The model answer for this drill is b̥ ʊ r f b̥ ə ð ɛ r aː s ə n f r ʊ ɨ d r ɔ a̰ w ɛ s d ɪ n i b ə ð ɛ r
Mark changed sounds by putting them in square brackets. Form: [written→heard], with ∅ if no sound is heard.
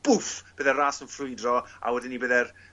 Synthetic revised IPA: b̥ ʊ [r→∅] f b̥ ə ð ɛ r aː s ə n f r ʊ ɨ d r ɔ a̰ w ɛ [s→∅] d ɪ n i b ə ð ɛ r

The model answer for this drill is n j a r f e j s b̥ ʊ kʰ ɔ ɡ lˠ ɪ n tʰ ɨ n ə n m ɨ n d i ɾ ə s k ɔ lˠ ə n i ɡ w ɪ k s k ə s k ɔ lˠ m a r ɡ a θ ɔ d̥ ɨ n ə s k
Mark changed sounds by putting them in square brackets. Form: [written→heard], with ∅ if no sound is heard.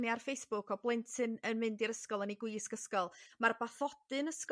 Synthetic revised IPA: n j a r f e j s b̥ ʊ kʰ ɔ [ɡ→b] lˠ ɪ n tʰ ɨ n ə n m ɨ n d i ɾ ə s k ɔ lˠ ə n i ɡ w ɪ [k→∅] s k ə s k ɔ lˠ m a r [ɡ→b] a θ ɔ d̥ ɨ n ə s k

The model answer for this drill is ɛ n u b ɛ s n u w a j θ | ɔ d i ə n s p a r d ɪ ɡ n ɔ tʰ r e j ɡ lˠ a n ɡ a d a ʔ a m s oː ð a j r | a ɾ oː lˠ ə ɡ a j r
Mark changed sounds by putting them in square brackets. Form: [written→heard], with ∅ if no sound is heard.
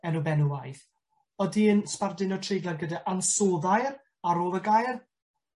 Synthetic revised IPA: ɛ n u b ɛ [s→∅] n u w a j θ | ɔ d i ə n s p a r d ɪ [ɡ→∅] n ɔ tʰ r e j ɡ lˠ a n ɡ [a→ə] d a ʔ a [m→n] s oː ð a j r | a ɾ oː lˠ ə ɡ a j r

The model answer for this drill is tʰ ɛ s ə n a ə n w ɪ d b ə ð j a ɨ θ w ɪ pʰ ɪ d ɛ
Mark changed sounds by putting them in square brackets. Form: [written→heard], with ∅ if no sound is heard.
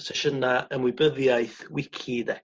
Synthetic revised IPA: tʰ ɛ [s→ʃ] ə n a ə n w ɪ [d→∅] b ə ð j a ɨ θ w ɪ [pʰ→kʰ] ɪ d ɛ

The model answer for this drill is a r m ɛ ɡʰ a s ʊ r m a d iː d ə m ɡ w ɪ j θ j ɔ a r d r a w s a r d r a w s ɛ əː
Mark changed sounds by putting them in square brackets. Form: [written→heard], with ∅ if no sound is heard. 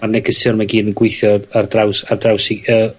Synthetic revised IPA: a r [m→n] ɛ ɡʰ [a→ə] s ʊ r m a [d→ɡ] iː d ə [m→n] ɡ w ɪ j θ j ɔ a r d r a w s a r d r a w s [ɛ→i] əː

